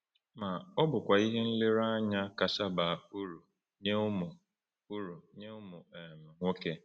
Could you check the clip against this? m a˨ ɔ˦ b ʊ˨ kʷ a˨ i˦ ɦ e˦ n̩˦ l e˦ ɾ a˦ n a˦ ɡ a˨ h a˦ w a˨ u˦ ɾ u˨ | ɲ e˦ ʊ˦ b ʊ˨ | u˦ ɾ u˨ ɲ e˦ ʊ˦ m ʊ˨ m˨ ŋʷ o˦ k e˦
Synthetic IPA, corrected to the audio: m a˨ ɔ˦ b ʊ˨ kʷ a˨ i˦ ɦ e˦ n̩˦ l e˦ ɾ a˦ ɲ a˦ k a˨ s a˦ b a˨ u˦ ɾ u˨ | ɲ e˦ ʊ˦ m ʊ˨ | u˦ ɾ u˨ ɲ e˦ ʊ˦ m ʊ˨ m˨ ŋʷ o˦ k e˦